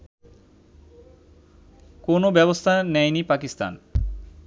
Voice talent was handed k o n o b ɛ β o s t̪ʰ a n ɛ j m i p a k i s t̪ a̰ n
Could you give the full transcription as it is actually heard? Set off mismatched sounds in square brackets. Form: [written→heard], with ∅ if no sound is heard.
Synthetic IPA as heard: k o n o b ɛ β o s t̪ʰ a n ɛ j [m→n] i p a k i s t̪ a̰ n